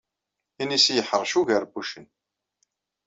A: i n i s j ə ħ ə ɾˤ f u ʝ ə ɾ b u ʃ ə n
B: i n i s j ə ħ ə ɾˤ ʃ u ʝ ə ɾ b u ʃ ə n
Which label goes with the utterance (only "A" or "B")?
B